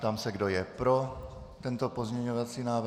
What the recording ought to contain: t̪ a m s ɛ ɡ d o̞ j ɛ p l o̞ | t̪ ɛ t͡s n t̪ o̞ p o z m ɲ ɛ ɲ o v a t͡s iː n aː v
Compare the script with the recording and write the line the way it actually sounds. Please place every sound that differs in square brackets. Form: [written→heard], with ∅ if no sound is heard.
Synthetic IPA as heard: t̪ a m s ɛ ɡ d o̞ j ɛ p [l→ɾ] o̞ | t̪ ɛ [t͡s→∅] n t̪ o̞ p o z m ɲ ɛ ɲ o v a t͡s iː n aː v